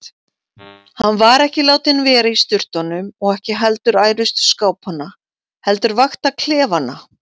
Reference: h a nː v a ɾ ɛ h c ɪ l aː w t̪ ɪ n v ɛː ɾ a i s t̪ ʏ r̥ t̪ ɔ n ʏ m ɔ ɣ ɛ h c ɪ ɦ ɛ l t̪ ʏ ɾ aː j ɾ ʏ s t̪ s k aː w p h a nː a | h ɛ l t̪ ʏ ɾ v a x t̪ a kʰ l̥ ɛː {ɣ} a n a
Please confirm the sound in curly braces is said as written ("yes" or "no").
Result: no